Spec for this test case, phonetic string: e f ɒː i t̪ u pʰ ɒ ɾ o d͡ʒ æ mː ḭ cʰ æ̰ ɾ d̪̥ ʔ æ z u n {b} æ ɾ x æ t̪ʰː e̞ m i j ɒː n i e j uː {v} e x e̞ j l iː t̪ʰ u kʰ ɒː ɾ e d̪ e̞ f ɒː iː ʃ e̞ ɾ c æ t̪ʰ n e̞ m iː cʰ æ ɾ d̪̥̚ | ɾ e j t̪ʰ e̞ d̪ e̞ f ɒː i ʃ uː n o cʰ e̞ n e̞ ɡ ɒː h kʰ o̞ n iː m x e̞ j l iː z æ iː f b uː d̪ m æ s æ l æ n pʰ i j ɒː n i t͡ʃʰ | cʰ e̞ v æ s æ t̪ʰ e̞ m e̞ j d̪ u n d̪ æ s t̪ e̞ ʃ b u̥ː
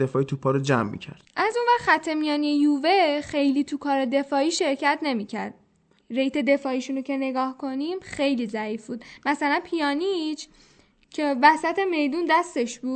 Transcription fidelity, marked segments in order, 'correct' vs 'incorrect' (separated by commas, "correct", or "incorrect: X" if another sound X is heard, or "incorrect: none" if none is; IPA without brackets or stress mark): incorrect: v, correct